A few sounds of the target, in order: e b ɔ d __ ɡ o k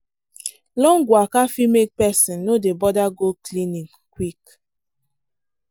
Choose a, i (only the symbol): a